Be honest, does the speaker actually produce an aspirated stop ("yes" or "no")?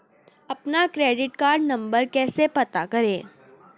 no